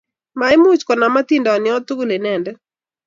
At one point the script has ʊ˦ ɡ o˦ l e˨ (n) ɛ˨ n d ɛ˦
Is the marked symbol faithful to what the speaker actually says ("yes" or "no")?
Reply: yes